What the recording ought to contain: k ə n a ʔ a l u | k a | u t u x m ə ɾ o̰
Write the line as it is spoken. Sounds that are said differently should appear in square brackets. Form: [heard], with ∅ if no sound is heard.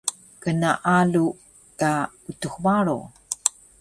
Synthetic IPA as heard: k ə n a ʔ a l u | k a | u t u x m [a] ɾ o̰